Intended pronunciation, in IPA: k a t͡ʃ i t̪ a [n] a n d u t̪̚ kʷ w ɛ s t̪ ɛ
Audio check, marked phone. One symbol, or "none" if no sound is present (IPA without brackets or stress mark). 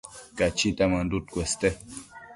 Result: m